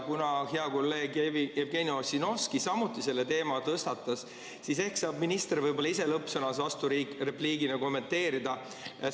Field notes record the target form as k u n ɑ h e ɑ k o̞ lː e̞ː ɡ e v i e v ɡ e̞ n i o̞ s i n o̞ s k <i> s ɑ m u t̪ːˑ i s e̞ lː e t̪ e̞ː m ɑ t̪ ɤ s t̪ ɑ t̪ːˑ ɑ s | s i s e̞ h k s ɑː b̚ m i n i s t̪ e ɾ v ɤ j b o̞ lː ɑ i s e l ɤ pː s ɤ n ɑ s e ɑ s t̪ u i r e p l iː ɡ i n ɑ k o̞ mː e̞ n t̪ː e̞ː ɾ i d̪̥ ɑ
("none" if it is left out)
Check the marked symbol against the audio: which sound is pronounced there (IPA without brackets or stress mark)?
i